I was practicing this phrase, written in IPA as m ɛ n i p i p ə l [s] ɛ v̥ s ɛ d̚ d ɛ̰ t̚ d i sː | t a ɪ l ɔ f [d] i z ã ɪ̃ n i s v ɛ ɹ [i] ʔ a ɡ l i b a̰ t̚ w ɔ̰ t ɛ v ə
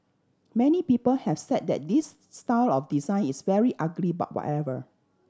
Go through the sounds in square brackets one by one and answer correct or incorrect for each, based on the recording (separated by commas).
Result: incorrect, correct, correct